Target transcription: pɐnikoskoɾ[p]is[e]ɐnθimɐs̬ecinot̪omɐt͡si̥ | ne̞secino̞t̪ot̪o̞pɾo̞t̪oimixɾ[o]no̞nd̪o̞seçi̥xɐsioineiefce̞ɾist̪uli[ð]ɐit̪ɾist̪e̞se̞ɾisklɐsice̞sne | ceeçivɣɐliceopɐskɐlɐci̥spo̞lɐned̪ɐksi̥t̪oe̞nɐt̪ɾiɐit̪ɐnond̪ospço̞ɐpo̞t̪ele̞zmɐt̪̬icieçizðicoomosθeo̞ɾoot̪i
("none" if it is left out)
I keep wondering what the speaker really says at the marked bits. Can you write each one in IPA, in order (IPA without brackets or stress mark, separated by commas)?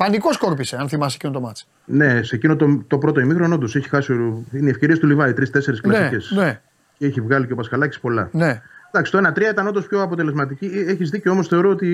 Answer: p, e, o, v